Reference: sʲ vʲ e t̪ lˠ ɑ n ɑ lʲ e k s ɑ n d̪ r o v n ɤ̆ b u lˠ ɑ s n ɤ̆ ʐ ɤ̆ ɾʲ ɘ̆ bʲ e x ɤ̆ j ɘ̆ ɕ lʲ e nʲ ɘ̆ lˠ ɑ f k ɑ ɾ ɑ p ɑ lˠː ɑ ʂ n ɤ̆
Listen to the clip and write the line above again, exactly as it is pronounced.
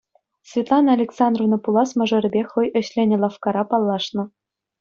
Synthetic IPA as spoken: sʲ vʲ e t̪ lˠ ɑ n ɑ lʲ e k s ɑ n d̪ r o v n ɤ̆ p u lˠ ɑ s m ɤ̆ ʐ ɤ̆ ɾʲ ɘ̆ bʲ e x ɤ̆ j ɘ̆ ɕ lʲ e nʲ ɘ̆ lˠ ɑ f k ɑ ɾ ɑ p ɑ lˠː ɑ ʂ n ɤ̆